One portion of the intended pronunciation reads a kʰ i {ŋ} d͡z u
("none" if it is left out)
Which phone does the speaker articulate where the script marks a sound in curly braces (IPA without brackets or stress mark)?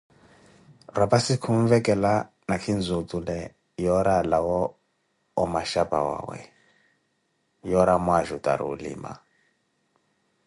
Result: n